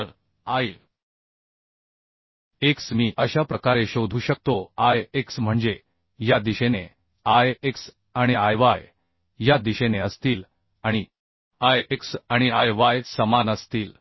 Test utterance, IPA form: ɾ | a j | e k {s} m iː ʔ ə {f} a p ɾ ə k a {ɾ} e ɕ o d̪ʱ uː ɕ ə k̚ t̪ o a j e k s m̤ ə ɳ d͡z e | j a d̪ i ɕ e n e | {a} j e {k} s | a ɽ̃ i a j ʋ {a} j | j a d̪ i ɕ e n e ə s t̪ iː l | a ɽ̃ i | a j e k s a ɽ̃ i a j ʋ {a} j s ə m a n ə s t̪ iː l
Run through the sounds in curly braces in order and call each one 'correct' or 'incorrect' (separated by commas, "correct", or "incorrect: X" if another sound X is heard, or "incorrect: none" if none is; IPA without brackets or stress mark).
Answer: correct, incorrect: ɕ, correct, correct, correct, correct, correct